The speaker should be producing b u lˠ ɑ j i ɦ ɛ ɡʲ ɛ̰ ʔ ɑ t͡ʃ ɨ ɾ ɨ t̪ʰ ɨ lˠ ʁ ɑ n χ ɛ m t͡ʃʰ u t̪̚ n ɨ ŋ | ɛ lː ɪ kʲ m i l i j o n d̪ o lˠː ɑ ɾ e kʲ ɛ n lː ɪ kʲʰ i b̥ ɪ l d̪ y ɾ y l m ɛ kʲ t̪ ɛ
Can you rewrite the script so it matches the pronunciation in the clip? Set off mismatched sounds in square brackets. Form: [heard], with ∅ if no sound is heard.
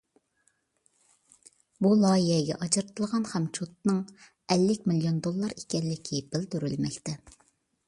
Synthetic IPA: b u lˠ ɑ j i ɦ ɛ ɡʲ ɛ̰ ʔ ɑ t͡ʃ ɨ ɾ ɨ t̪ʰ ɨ lˠ ʁ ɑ n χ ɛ m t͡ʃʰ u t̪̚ n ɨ ŋ | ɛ lː ɪ kʲ m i l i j o n d̪ o lˠː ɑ ɾ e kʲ ɛ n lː ɪ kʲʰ i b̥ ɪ l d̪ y ɾ y l m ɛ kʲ t̪ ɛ